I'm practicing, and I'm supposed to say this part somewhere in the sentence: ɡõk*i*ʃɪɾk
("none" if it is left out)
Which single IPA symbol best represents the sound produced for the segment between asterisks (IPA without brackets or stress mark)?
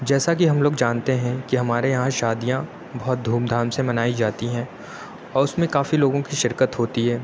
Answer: i